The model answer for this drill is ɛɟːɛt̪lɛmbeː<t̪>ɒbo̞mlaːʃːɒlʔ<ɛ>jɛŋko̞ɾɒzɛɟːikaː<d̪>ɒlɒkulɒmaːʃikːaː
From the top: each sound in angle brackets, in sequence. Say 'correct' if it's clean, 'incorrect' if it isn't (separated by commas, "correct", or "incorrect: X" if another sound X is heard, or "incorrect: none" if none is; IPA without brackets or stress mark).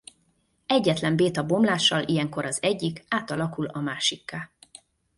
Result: correct, incorrect: i, incorrect: t̪